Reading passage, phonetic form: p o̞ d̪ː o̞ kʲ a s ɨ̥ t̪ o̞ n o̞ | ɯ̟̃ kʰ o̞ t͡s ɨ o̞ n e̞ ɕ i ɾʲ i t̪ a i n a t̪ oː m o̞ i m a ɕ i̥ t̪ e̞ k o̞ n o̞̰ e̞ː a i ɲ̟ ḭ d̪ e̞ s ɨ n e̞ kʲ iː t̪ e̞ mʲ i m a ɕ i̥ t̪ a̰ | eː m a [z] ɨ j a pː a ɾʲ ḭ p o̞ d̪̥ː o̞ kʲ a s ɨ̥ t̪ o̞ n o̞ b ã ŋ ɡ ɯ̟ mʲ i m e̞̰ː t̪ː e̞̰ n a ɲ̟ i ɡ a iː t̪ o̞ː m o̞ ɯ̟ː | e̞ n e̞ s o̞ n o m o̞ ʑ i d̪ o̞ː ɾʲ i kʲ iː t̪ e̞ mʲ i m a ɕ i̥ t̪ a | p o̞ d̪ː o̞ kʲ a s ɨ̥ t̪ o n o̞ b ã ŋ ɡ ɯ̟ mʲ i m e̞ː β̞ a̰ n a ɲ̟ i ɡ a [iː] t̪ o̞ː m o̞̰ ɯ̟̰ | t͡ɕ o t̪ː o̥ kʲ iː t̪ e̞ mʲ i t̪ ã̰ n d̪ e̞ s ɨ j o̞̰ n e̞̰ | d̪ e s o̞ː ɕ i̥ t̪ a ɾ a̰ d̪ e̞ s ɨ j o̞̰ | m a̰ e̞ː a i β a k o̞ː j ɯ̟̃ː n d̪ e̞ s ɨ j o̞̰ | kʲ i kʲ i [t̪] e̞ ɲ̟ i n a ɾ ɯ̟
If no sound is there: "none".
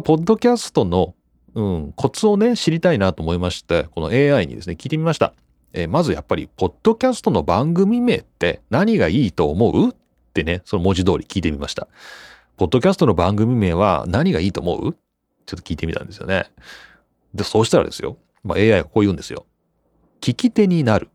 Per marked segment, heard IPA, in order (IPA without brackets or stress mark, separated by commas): z, iː, t̪